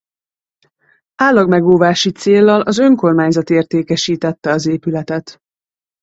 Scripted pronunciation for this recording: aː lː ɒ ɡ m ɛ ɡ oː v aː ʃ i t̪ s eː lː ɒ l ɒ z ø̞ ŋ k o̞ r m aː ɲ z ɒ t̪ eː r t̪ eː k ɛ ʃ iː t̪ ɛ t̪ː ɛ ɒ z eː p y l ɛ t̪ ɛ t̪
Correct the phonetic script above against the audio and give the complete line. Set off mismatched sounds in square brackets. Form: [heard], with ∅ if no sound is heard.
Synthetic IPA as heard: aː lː ɒ ɡ m ɛ ɡ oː v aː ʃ i t̪ s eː lː ɒ l ɒ z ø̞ ŋ k o̞ r m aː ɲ z ɒ t̪ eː r t̪ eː k ɛ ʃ iː t̪ ɛ t̪ː ɛ ɒ z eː p y l ɛ t̪ ɛ t̪